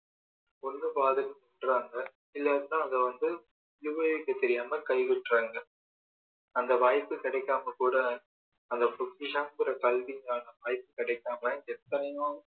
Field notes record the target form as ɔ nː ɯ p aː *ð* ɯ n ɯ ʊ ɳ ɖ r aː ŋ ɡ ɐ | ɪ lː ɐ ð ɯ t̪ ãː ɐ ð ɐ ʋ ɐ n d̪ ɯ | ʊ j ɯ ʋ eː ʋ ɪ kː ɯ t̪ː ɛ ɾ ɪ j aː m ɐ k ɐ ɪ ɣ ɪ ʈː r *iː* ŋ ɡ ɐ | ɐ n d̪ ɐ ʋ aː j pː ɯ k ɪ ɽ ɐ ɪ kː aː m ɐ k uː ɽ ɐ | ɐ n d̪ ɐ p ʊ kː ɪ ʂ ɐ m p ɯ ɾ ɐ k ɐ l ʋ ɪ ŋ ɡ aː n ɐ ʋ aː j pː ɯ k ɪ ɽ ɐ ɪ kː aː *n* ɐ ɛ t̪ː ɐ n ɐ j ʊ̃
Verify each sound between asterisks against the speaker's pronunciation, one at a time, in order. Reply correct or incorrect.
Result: correct, incorrect, incorrect

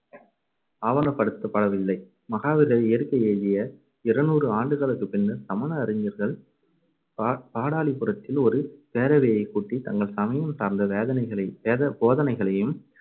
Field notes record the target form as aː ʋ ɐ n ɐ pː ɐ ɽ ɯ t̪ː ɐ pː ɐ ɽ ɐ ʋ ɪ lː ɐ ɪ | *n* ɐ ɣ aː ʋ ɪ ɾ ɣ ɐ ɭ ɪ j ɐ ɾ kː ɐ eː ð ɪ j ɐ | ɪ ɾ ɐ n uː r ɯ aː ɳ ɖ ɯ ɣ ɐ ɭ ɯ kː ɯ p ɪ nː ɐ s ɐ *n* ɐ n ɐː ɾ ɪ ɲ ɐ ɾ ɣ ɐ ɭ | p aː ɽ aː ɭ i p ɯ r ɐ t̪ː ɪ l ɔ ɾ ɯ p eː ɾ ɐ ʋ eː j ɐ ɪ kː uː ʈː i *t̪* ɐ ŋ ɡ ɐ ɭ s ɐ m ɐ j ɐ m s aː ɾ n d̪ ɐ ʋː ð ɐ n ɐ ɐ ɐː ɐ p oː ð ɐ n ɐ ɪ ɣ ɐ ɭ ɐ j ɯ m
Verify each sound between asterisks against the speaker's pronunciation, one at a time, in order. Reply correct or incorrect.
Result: incorrect, incorrect, correct

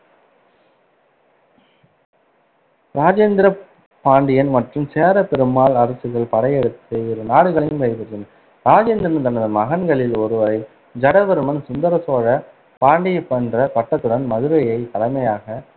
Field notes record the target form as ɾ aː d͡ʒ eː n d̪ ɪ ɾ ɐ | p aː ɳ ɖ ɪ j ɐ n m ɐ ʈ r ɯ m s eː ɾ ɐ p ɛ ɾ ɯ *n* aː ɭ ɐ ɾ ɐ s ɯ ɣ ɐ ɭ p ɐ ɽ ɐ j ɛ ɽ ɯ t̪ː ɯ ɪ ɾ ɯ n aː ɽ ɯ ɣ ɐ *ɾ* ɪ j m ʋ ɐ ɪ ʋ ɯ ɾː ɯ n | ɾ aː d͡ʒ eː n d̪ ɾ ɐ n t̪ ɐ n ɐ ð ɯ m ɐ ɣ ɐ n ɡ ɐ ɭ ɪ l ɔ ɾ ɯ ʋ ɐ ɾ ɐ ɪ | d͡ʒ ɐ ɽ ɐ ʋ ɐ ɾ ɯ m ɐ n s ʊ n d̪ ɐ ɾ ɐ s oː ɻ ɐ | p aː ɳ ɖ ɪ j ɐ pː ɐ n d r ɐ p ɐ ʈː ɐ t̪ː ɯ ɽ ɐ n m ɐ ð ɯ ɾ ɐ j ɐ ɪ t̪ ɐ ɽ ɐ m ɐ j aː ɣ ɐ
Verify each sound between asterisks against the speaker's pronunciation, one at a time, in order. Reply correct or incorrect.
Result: incorrect, incorrect

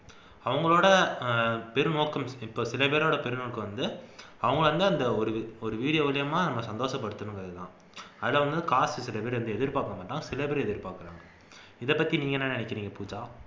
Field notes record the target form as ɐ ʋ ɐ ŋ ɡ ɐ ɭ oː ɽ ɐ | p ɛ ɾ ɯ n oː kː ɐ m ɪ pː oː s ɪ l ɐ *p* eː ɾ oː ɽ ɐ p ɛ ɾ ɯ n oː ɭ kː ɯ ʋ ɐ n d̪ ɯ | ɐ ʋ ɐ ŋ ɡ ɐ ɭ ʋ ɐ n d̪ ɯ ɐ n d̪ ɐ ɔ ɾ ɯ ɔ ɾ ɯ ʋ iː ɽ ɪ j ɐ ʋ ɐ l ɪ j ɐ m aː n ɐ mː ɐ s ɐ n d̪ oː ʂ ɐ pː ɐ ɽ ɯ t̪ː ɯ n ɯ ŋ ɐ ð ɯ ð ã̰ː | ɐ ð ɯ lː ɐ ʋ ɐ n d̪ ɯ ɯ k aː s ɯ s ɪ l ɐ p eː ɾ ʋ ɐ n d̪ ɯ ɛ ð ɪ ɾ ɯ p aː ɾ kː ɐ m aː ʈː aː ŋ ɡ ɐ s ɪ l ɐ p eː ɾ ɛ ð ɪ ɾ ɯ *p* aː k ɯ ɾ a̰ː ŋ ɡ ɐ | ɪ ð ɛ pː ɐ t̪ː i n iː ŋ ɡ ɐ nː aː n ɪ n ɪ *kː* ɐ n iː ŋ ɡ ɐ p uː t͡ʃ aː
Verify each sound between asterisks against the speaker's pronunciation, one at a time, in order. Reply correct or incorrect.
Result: correct, correct, correct

